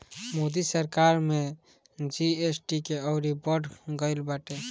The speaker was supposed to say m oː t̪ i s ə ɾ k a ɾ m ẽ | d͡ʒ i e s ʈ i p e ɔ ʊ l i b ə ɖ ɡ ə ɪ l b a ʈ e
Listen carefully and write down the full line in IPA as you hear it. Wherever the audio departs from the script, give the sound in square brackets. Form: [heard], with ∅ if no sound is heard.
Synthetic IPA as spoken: m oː [d̪] i s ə ɾ k a ɾ m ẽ | d͡ʒ i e s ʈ i [k] e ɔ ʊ [ɾ] i b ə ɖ ɡ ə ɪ l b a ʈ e

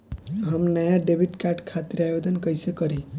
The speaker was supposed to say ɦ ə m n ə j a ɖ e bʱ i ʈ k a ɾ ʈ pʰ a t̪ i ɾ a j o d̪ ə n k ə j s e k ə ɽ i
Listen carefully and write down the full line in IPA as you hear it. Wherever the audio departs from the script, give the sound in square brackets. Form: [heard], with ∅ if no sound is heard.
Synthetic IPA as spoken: ɦ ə m n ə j a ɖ e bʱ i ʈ k a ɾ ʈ [kʰ] a t̪ i ɾ a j o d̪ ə n k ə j s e k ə [ɾ] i

